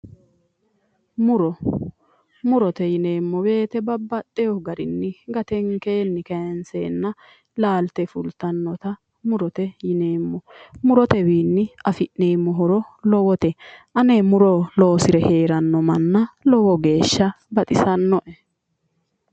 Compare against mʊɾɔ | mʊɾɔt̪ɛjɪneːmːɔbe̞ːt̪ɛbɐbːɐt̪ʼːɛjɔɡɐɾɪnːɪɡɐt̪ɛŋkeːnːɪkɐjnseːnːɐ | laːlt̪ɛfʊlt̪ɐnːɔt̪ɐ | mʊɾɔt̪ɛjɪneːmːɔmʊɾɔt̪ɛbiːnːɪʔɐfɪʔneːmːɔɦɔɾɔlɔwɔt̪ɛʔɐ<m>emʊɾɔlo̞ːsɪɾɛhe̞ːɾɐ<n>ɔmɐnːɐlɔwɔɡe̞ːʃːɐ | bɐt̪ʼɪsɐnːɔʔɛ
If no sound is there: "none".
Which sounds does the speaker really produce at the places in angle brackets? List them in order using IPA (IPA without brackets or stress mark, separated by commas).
n, nː